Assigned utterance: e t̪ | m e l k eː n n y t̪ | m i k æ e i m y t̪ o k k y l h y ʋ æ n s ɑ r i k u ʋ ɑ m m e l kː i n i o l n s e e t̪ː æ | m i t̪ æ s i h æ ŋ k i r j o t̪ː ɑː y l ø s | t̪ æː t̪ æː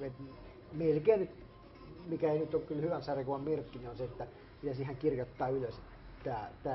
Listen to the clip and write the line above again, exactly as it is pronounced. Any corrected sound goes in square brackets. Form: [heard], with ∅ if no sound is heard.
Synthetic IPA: e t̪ | m e l k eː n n y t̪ | m i k æ e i [n] y t̪ o k k y l h y ʋ æ n s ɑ r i k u ʋ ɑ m m e [r] kː i n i o [∅] n s e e t̪ː æ | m i t̪ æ s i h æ ŋ k i r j o t̪ː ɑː y l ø s | t̪ æː t̪ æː